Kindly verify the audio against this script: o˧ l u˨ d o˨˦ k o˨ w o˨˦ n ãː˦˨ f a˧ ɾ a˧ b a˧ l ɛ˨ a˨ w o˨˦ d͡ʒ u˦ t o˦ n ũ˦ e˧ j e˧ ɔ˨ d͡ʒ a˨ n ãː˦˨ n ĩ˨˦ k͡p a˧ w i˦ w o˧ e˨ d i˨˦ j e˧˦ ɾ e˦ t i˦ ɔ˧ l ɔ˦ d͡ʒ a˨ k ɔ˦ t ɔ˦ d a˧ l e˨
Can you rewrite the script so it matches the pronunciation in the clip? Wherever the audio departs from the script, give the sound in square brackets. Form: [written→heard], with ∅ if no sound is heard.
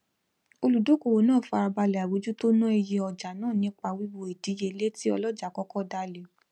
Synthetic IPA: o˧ l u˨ d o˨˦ k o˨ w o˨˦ n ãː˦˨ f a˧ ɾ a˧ b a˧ l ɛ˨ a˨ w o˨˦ d͡ʒ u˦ t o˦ n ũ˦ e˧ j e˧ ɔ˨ d͡ʒ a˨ n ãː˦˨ n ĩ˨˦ k͡p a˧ w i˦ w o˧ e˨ d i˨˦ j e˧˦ [ɾ→l] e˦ t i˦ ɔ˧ l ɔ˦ d͡ʒ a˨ k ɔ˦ [t→k] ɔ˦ d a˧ l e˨